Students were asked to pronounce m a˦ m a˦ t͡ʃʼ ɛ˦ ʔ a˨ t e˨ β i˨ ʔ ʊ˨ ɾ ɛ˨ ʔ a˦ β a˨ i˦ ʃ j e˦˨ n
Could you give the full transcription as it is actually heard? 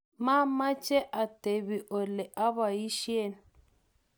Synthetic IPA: m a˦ m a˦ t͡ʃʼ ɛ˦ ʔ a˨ t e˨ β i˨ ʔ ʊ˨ l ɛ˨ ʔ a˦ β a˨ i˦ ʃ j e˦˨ n